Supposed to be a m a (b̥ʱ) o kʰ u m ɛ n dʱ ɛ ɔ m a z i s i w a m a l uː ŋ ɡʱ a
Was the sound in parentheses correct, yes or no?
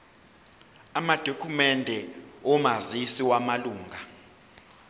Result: no